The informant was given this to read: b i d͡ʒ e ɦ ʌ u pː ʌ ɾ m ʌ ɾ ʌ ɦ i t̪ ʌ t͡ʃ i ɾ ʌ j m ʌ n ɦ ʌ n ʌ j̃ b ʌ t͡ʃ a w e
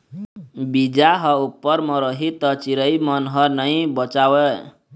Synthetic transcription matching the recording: b i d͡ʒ a ɦ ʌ u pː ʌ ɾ m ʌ ɾ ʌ ɦ i t̪ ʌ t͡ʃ i ɾ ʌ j m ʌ n ɦ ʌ n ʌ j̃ b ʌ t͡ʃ a w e